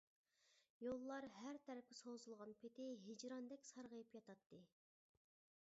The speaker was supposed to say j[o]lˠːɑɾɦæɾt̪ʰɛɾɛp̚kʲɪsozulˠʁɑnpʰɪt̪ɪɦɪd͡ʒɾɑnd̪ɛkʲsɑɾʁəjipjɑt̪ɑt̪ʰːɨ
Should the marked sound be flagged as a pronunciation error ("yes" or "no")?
no